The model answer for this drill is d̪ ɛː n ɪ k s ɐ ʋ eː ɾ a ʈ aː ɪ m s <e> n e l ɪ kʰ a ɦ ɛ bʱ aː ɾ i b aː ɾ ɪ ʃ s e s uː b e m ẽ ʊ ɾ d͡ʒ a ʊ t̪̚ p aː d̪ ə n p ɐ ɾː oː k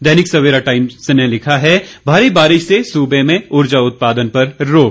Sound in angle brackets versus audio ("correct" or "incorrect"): correct